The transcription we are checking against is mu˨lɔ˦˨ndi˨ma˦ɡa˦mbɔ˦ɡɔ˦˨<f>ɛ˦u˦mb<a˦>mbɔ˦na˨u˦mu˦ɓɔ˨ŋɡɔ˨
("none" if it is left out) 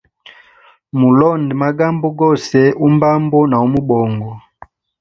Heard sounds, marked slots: s, a˦

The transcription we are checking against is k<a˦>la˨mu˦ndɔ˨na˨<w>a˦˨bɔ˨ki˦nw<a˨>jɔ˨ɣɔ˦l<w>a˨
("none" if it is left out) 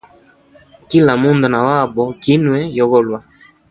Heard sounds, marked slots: i˦, w, ɛ˨, w

